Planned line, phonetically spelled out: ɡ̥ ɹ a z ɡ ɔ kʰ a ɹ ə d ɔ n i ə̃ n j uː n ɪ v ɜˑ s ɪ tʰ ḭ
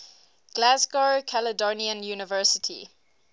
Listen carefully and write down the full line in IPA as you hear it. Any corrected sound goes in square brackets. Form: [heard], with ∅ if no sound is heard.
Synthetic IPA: ɡ̥ [l] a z ɡ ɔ kʰ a [l] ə d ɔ n i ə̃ n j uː n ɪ v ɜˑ s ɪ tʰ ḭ